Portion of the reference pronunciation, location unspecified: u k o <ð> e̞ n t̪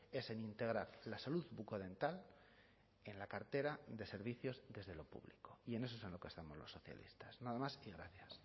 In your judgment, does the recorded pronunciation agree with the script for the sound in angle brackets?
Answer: yes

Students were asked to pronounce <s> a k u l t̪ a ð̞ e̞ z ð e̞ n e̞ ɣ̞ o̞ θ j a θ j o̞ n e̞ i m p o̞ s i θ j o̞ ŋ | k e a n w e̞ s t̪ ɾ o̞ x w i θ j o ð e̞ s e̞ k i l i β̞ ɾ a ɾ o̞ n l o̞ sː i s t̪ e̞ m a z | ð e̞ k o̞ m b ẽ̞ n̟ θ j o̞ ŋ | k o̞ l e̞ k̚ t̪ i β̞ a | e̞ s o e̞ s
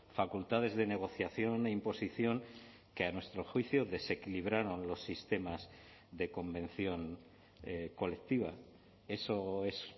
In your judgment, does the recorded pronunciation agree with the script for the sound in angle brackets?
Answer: no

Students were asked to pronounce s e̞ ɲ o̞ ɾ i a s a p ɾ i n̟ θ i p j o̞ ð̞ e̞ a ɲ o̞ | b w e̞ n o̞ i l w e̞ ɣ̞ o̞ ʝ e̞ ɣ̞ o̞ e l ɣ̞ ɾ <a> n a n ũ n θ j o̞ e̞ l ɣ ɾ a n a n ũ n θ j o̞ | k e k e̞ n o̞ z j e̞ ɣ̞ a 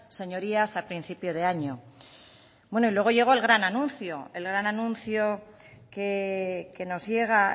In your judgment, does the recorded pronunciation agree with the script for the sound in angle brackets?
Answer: yes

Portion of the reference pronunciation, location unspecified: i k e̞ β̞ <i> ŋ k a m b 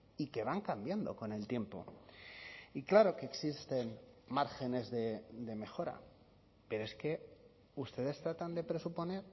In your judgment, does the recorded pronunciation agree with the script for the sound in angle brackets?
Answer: no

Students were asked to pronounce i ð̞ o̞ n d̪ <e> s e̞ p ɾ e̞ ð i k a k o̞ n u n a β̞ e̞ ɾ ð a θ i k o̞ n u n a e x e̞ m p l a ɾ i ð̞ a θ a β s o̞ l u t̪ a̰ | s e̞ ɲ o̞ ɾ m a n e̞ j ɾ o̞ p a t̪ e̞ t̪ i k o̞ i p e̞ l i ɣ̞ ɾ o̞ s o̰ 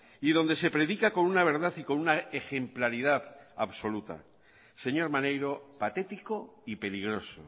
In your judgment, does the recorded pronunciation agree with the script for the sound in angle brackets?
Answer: yes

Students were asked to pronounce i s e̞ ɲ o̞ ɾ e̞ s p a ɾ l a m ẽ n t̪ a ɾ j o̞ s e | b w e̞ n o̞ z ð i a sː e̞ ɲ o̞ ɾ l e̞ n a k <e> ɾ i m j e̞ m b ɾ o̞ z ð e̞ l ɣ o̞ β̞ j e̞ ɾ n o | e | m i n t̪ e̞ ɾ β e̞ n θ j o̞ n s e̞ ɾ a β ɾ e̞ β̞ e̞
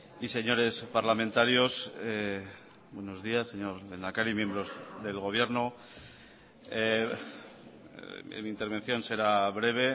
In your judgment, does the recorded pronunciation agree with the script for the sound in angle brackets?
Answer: no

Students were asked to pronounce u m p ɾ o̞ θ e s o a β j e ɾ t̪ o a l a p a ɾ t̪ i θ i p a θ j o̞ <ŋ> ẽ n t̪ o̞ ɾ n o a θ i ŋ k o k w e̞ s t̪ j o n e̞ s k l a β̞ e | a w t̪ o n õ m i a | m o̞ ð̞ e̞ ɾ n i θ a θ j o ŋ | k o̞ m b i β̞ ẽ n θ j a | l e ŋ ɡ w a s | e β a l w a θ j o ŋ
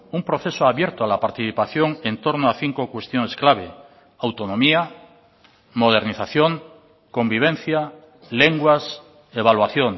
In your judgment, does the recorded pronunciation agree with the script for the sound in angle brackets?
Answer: yes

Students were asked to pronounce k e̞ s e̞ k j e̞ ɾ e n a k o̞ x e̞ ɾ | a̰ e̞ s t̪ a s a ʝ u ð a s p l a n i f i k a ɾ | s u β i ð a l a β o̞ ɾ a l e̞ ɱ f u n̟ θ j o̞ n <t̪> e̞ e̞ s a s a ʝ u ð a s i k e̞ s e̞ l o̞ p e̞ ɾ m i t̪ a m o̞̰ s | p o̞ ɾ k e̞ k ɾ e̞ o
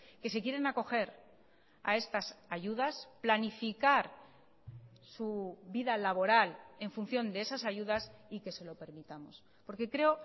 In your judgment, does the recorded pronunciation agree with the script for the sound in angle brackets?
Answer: no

